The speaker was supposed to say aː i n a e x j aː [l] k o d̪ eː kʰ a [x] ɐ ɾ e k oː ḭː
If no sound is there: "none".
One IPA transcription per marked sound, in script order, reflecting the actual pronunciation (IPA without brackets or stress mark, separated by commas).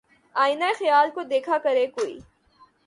l, k